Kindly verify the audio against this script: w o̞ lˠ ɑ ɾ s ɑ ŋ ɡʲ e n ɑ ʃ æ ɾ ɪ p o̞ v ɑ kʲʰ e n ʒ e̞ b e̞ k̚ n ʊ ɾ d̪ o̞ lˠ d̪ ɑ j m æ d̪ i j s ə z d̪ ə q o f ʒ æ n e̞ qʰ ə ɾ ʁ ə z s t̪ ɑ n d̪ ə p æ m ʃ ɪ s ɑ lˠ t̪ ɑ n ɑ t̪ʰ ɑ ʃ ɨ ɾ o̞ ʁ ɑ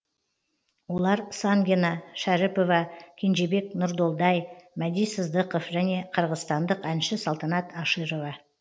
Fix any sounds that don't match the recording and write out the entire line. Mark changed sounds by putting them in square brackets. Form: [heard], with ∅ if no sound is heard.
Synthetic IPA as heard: w o̞ lˠ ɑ ɾ s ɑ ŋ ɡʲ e n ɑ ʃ æ ɾ ɪ p o̞ v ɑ kʲʰ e n ʒ e̞ b e̞ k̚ n ʊ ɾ d̪ o̞ lˠ d̪ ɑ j m æ d̪ i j s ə z d̪ ə q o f ʒ æ n e̞ qʰ ə ɾ ʁ ə z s t̪ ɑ n d̪ ə [q] æ [n] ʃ ɪ s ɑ lˠ t̪ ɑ n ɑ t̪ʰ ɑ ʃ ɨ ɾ o̞ [v] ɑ